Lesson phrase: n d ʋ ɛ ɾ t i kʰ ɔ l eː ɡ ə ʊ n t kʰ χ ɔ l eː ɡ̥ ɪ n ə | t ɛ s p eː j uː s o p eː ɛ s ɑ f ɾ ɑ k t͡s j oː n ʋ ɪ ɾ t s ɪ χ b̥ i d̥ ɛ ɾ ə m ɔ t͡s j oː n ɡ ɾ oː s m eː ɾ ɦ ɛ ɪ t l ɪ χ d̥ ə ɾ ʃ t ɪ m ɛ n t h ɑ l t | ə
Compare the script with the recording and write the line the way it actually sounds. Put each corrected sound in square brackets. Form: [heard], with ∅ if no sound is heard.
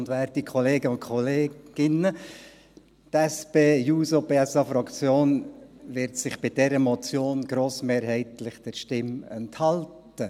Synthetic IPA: n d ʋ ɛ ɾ t i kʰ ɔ l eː ɡ ə ʊ n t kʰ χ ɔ l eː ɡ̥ ɪ n ə | t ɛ s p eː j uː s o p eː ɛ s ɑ f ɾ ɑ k t͡s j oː n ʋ ɪ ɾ t s ɪ χ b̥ [ɪ] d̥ ɛ ɾ ə m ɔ t͡s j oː n ɡ ɾ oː s m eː ɾ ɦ ɛ ɪ t l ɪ χ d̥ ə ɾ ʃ t ɪ m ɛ n t h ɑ l t | ə

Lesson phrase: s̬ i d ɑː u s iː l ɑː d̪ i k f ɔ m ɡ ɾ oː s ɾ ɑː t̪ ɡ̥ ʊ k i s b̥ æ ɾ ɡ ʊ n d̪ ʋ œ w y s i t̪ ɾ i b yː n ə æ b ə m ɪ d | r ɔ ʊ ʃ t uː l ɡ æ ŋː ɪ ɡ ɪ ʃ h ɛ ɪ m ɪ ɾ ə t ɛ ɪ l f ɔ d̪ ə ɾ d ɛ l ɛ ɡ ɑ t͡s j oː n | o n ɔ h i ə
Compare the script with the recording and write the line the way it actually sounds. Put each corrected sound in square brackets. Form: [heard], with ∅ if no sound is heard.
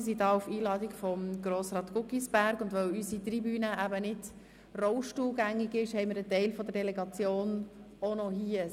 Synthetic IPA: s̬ i d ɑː u [f] iː l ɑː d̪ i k f ɔ m ɡ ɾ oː s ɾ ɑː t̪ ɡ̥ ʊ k i s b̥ æ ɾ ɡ ʊ n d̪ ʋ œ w y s i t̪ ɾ i b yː n ə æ b ə [n] ɪ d | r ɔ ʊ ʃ t uː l ɡ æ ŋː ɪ ɡ ɪ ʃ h ɛ ɪ m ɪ ɾ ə t ɛ ɪ l f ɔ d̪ ə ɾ d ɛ l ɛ ɡ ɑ t͡s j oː n | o n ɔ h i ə

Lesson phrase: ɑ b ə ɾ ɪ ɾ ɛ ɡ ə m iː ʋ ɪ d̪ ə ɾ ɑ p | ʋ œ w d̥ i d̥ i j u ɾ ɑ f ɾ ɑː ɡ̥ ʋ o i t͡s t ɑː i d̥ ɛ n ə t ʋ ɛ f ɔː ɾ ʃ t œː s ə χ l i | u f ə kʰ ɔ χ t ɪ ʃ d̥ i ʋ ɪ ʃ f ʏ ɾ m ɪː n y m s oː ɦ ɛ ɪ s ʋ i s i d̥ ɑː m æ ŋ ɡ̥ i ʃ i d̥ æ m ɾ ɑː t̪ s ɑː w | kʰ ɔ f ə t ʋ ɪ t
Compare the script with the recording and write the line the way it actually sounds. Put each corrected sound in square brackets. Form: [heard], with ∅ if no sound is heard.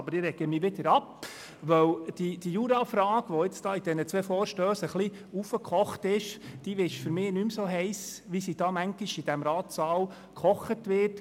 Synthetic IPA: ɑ b ə ɾ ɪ ɾ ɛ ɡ ə m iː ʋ ɪ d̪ ə ɾ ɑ p | ʋ œ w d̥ i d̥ i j u ɾ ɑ f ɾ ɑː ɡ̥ ʋ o [ɪ] t͡s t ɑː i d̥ ɛ n ə [t͡s] ʋ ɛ f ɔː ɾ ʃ t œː s ə χ l i | u f ə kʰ ɔ χ t ɪ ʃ d̥ i ʋ ɪ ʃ f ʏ ɾ m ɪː n y m s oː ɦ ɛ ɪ s ʋ i s i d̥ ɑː m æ ŋ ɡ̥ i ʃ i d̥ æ m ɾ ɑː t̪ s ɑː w | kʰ ɔ [χ] ə t ʋ ɪ t

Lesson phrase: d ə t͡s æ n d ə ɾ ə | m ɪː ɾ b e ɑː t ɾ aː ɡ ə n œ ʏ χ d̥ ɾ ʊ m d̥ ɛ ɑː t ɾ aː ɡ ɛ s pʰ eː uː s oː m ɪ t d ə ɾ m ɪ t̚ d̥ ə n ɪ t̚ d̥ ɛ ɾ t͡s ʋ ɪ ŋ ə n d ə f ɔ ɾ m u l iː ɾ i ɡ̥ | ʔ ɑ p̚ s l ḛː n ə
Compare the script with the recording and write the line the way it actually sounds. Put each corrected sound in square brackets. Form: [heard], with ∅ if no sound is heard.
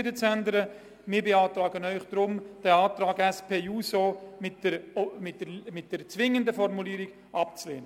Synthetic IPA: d ə t͡s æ n d ə ɾ ə | m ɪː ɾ b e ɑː t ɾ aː ɡ ə n œ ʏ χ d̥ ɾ ʊ m d̥ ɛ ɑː t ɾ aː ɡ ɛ s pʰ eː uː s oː m ɪ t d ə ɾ m ɪ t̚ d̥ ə [m] ɪ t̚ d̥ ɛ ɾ t͡s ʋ ɪ ŋ ə n d ə f ɔ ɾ m u l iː ɾ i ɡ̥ | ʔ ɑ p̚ [t͡s] l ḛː n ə

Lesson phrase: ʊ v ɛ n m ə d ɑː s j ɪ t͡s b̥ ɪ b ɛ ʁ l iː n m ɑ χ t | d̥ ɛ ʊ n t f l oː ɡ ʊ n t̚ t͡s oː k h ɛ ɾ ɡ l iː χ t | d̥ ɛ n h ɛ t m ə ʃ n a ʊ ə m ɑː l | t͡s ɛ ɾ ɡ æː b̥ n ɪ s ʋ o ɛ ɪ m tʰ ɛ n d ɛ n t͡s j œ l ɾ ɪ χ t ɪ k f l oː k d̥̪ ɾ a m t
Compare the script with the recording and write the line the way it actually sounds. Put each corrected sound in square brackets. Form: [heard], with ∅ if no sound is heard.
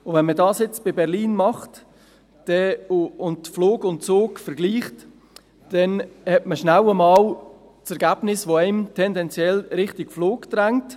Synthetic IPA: ʊ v ɛ n m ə d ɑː s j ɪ t͡s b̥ ɪ b ɛ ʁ l iː n m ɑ χ t | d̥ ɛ ʊ n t f l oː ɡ ʊ n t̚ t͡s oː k [f] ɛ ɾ ɡ l iː χ t | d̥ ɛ n h ɛ t m ə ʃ n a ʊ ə m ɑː l | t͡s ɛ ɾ ɡ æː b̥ n ɪ s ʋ o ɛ ɪ m tʰ ɛ n d ɛ n t͡s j [ɛ] l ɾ ɪ χ t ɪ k f l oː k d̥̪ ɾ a [ŋ] t

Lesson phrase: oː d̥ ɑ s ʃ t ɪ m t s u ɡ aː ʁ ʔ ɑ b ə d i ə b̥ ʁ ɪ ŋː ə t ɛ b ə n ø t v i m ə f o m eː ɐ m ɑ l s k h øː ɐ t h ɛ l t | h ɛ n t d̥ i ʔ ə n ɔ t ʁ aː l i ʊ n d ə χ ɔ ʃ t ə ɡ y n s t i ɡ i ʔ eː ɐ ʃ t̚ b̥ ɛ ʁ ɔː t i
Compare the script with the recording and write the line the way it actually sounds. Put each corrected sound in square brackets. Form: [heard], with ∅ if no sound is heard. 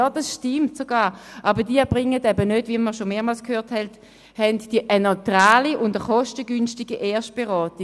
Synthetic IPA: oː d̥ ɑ s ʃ t ɪ m t s [o] ɡ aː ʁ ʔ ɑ b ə d i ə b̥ ʁ ɪ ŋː ə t ɛ b ə n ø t v i m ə [ʃ] o m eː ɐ m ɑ l s k h øː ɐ t h ɛ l t | h ɛ n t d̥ i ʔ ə n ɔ t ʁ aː l i ʊ n d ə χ ɔ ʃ t ə ɡ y n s t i ɡ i ʔ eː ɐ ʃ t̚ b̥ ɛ ʁ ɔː t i

